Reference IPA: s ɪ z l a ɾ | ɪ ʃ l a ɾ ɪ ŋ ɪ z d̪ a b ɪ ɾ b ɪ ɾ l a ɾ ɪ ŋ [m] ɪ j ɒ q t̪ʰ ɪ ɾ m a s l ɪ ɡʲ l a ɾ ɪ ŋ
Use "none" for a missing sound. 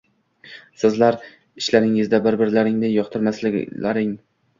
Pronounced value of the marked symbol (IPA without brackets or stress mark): n